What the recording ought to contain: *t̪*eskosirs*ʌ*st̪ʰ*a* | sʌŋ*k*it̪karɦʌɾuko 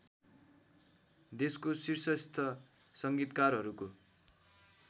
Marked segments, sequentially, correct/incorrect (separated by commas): incorrect, correct, incorrect, incorrect